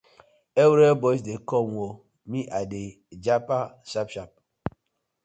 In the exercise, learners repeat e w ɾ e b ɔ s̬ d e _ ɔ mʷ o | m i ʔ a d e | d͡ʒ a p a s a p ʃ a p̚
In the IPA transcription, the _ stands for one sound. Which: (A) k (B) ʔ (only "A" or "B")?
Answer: A